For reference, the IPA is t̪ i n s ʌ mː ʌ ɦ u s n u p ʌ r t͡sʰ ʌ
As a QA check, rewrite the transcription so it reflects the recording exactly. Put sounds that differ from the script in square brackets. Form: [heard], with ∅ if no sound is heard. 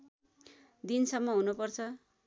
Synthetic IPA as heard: [d̪] i n s ʌ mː ʌ ɦ u [∅] n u p ʌ r t͡sʰ ʌ